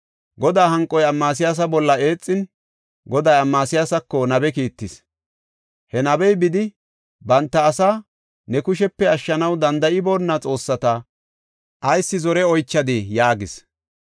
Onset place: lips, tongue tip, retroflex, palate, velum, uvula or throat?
velum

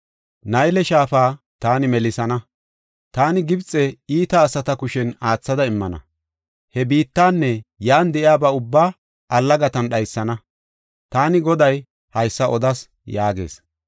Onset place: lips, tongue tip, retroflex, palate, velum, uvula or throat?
tongue tip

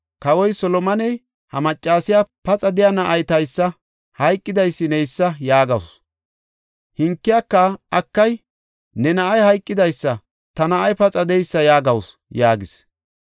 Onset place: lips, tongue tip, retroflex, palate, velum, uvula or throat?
velum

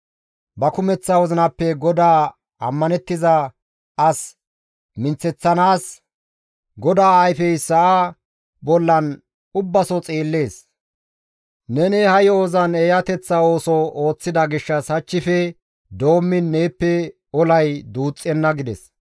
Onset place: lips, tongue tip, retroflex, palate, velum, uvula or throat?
lips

